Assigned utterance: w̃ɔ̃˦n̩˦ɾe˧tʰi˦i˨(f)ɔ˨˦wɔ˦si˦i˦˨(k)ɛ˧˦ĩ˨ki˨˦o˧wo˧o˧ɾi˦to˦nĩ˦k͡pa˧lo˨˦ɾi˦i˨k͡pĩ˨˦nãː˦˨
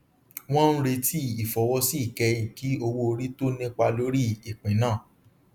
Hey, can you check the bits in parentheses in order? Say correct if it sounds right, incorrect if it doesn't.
correct, correct

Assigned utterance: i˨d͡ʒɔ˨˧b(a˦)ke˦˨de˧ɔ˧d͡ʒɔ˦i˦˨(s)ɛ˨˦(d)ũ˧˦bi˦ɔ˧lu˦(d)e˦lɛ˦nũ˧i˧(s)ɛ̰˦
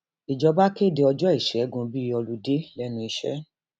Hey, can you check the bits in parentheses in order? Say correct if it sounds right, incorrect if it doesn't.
correct, incorrect: ʃ, incorrect: ɡ, correct, incorrect: ʃ

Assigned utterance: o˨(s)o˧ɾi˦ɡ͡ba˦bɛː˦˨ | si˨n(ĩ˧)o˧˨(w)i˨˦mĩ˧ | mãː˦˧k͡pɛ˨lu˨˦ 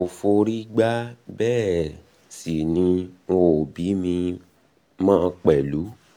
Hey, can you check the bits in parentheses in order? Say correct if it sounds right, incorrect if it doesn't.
incorrect: f, correct, incorrect: b

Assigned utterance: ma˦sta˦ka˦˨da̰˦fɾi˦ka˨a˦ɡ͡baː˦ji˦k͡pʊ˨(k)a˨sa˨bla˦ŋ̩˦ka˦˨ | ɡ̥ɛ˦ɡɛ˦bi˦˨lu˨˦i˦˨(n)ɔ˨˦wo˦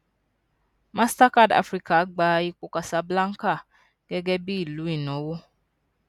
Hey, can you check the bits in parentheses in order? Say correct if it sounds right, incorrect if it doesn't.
correct, correct

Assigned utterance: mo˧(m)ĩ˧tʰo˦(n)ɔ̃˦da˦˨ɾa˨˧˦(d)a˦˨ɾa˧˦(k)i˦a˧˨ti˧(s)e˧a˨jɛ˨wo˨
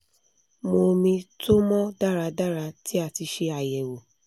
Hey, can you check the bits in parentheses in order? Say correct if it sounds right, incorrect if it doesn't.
correct, incorrect: m, correct, incorrect: t, incorrect: ʃ

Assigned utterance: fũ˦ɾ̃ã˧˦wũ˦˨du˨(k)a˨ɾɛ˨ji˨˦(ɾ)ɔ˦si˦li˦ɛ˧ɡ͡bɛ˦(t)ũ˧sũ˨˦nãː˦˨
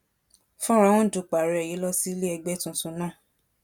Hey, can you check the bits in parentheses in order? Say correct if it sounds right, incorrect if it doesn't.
incorrect: k͡p, incorrect: l, correct

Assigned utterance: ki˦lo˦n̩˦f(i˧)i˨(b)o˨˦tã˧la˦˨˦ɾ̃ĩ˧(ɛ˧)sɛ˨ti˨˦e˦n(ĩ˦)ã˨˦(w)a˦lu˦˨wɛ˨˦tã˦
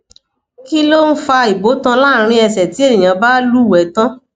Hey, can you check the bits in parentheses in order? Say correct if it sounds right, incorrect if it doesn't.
incorrect: a˧, correct, correct, incorrect: ĩ˨, incorrect: b

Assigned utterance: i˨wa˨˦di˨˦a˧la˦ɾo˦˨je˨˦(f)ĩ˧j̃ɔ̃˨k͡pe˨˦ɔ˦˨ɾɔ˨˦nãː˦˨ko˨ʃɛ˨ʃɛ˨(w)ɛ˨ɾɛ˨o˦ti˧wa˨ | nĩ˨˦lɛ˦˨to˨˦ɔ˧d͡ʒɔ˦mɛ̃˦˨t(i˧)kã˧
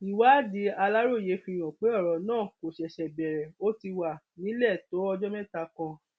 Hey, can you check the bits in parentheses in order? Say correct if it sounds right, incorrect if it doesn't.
correct, incorrect: b, incorrect: a˧

